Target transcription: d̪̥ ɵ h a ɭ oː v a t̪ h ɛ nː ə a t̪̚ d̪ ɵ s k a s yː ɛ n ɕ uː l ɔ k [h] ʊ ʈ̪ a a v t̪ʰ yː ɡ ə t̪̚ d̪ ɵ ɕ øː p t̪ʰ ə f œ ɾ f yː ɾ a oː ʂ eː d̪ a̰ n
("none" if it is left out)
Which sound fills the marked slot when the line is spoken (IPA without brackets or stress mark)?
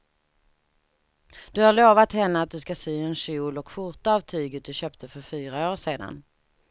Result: f